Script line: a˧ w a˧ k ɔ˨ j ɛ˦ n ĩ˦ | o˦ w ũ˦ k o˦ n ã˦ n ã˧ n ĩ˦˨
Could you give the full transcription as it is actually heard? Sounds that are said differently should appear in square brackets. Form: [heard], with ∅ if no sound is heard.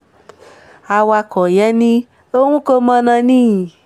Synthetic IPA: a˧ w a˧ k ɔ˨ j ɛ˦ n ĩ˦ | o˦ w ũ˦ k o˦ [m] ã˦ n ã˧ n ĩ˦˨